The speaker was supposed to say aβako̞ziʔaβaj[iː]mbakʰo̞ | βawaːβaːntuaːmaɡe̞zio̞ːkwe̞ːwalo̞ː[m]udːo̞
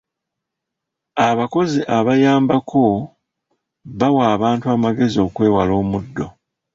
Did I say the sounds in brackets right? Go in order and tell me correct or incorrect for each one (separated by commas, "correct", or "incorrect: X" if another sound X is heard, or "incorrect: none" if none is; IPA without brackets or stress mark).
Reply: incorrect: aː, correct